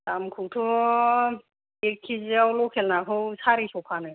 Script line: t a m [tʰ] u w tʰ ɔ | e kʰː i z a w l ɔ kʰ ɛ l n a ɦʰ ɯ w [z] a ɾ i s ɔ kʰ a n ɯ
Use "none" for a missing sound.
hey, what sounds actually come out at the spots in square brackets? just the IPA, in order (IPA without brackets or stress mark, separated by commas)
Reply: kʰ, s